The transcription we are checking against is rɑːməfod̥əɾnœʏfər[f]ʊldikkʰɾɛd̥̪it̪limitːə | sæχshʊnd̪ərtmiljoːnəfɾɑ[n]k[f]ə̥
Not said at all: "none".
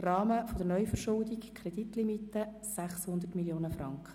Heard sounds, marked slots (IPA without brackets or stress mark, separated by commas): ʃ, ŋ, χ